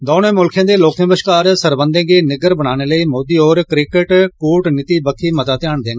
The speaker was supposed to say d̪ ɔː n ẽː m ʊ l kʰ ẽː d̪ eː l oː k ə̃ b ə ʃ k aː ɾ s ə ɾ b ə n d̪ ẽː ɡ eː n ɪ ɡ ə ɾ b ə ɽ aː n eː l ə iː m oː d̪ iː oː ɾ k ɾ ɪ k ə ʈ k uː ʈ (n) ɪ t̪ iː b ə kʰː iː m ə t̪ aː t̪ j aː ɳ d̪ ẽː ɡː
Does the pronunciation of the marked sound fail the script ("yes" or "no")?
no